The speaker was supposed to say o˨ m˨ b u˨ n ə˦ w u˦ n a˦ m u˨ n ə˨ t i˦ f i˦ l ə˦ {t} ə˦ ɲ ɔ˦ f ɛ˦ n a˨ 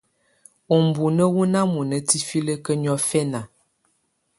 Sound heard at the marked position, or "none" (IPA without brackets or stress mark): k